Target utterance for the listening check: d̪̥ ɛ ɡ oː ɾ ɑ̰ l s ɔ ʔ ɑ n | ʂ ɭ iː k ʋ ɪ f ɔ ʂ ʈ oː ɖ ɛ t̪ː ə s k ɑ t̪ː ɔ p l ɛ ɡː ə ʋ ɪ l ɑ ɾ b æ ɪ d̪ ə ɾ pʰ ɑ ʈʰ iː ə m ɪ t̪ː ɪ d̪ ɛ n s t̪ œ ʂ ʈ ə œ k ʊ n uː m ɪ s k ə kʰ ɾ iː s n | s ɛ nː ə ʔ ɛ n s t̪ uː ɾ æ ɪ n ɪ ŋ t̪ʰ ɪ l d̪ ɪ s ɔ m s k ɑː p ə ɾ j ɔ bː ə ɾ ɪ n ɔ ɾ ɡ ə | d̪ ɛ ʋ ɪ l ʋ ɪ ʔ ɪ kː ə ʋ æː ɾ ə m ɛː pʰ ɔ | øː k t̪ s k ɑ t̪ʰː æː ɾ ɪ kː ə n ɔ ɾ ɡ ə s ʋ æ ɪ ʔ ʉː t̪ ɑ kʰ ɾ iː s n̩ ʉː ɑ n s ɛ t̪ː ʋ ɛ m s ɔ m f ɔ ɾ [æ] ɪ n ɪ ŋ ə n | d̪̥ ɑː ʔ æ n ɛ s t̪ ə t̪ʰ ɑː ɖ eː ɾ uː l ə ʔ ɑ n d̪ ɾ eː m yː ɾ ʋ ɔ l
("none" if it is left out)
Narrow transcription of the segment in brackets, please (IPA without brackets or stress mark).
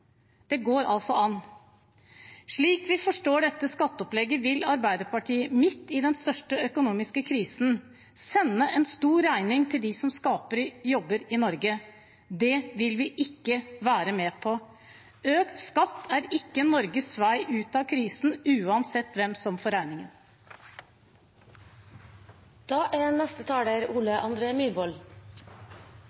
æ